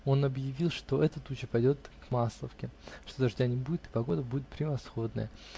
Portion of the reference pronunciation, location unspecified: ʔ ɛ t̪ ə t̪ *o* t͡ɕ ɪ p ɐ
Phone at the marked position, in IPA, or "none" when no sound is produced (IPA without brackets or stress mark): u